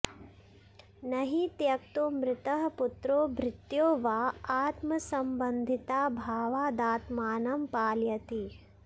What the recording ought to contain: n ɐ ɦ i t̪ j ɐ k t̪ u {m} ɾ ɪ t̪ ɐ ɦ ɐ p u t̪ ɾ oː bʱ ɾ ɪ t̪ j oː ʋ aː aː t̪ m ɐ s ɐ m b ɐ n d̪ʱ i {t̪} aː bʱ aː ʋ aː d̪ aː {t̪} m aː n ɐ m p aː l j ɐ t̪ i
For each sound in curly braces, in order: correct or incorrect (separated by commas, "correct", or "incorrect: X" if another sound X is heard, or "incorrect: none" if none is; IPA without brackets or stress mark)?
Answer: correct, correct, correct